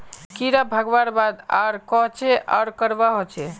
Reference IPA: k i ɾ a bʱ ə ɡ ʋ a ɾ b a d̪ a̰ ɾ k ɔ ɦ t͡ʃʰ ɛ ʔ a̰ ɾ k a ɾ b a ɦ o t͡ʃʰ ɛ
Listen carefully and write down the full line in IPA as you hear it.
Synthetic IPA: k i ɾ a bʱ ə ɡ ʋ a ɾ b a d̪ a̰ ɾ k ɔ ɦ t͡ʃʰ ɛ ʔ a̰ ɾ k ə ɾ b a ɦ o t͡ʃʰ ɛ